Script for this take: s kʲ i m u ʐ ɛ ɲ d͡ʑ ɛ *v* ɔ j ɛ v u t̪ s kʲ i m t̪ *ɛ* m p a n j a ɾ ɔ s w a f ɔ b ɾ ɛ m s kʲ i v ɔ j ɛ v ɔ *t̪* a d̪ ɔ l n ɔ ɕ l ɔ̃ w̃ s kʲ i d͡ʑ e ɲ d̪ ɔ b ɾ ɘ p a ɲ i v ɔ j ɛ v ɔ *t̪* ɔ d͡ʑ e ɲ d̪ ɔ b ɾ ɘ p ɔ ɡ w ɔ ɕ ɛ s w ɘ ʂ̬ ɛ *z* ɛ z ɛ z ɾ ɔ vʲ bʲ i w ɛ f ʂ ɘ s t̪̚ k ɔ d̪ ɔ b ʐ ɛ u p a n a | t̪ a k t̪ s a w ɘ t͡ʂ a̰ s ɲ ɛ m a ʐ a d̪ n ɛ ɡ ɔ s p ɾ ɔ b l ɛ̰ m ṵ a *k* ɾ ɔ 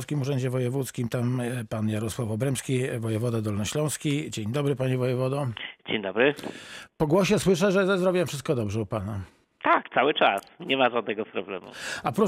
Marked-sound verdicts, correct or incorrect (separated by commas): correct, incorrect, incorrect, incorrect, incorrect, incorrect